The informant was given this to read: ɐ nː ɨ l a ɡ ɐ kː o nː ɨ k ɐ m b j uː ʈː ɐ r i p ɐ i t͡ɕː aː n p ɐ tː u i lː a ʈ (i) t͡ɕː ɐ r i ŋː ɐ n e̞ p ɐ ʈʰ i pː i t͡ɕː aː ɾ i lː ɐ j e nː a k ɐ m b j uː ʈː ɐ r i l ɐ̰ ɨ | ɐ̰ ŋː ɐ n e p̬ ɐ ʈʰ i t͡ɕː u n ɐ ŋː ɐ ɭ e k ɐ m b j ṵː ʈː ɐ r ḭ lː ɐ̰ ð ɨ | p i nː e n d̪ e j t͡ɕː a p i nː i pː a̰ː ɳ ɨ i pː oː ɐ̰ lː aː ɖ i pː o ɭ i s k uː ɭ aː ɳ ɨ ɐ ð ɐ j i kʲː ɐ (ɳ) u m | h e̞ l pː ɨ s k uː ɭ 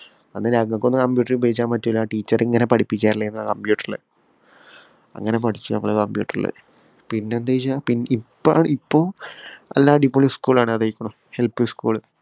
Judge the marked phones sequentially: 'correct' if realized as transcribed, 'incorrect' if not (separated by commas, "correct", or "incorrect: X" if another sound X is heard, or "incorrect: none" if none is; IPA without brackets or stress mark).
incorrect: iː, correct